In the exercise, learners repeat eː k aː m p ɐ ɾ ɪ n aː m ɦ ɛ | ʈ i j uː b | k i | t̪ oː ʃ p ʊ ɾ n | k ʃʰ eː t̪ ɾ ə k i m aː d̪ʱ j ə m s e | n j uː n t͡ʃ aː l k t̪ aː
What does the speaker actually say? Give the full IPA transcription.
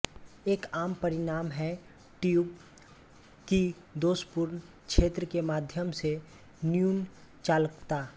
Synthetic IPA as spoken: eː k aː m p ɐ ɾ ɪ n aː m ɦ ɛ | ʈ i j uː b | k i | d̪ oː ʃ p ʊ ɾ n | k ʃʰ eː t̪ ɾ ə k e m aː d̪ʱ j ə m s e | n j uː n t͡ʃ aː l k t̪ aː